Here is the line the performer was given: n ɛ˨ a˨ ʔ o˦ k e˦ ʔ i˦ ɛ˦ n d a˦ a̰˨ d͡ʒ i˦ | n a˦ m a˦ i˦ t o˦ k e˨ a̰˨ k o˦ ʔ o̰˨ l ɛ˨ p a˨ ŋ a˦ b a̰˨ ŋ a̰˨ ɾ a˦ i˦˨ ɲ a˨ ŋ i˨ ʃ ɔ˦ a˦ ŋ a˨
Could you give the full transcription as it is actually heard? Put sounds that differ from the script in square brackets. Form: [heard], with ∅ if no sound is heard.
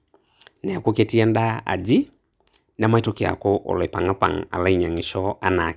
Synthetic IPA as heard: n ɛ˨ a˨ [k] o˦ k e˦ [t] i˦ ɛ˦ n d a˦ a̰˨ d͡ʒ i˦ | n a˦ m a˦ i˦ t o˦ k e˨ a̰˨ k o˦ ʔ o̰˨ l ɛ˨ p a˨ ŋ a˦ [p] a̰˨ ŋ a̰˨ [l] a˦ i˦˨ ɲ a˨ ŋ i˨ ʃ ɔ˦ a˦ [n] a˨